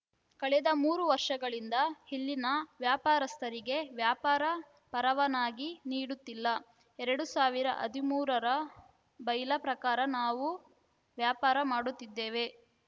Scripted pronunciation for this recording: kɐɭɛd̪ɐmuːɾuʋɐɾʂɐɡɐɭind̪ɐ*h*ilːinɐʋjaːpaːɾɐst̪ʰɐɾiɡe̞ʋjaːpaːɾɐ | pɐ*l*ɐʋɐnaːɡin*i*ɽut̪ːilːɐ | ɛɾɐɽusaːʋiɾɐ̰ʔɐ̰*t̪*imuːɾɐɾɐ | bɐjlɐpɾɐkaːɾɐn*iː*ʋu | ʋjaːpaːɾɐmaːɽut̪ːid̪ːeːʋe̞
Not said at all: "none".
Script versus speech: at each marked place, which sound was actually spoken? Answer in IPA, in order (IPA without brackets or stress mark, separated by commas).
h, ɾ, iː, d̪, aː